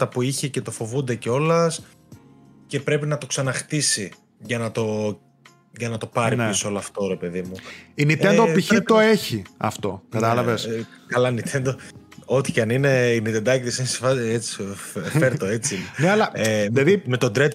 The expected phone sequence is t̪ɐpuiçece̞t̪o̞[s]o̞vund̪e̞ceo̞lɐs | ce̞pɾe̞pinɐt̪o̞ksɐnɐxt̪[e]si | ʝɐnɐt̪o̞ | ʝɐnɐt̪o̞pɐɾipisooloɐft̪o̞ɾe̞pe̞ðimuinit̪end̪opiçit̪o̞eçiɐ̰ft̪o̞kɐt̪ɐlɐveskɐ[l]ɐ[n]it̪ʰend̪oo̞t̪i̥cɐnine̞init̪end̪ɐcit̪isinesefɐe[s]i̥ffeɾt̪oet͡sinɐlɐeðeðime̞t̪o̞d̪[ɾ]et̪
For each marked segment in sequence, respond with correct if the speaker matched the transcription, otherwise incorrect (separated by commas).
incorrect, incorrect, correct, correct, incorrect, correct